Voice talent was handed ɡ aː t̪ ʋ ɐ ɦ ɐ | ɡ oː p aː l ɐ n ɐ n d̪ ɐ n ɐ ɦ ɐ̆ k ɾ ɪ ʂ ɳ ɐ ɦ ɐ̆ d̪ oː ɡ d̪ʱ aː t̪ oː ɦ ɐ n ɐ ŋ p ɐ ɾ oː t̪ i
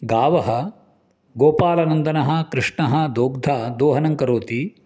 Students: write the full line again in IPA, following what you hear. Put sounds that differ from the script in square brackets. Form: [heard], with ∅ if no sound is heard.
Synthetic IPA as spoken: ɡ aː [∅] ʋ ɐ ɦ ɐ | ɡ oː p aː l ɐ n ɐ n d̪ ɐ n ɐ ɦ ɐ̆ k ɾ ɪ ʂ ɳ ɐ ɦ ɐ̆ d̪ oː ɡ d̪ʱ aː [d̪] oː ɦ ɐ n ɐ ŋ [k] ɐ ɾ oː t̪ i